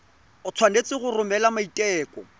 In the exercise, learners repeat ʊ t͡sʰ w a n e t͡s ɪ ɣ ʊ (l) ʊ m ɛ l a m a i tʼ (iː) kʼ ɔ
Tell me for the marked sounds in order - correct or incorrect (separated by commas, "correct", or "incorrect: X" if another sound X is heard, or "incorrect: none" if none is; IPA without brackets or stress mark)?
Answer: incorrect: r, incorrect: ɛː